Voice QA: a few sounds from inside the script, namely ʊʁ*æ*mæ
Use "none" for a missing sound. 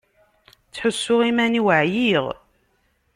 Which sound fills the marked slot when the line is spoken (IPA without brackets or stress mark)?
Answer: i